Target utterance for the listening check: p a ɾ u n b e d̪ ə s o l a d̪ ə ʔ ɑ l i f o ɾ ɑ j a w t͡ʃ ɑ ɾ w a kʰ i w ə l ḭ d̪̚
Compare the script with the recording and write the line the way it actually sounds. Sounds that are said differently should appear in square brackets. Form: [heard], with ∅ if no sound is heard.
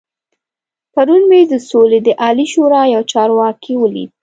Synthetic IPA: p a ɾ u n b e d̪ ə s o l [e] d̪ ə ʔ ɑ l i [ʃ] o ɾ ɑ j a w t͡ʃ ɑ ɾ w [ɑ] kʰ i w ə l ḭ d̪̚